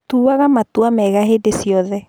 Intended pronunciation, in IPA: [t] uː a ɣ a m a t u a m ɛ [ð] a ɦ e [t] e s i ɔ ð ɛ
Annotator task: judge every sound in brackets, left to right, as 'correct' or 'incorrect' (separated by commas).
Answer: correct, incorrect, incorrect